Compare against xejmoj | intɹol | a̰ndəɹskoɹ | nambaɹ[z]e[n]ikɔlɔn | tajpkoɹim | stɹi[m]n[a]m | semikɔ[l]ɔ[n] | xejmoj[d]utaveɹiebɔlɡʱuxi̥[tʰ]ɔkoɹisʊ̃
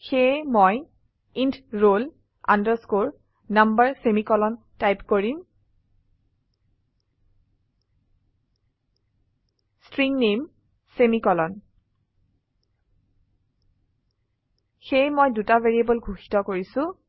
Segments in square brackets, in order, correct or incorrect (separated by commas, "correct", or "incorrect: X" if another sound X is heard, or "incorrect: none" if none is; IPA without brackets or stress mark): incorrect: s, incorrect: m, incorrect: ŋ, incorrect: e, correct, correct, correct, incorrect: t